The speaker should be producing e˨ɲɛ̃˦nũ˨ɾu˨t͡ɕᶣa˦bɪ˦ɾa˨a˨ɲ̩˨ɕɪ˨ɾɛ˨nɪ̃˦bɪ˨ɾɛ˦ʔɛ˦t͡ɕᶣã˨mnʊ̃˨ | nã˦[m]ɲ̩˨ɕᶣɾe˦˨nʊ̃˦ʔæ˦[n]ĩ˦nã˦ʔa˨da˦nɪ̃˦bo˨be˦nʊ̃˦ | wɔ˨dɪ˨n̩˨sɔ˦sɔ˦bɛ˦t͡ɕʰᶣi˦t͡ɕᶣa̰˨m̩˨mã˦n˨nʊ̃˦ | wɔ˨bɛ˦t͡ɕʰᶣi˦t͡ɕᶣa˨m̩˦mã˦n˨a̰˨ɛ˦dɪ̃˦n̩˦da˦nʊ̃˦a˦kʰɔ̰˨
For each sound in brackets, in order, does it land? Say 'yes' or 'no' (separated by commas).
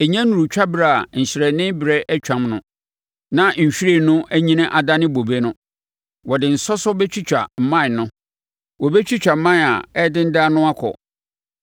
no, no